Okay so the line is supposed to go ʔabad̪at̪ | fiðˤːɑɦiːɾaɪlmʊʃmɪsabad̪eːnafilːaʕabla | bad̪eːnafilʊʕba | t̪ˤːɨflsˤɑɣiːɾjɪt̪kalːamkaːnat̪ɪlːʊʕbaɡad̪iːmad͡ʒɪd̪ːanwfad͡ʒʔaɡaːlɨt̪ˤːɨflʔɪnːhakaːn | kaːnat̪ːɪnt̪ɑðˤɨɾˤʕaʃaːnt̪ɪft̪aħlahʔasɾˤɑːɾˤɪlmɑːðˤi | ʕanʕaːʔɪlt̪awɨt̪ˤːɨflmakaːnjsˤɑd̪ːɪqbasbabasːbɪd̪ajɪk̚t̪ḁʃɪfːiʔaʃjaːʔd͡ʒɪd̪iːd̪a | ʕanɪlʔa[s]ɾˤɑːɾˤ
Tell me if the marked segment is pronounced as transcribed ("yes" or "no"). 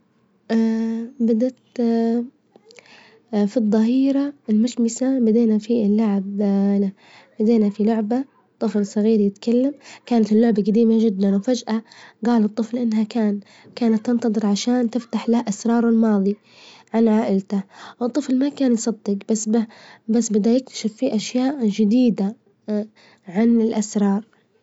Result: yes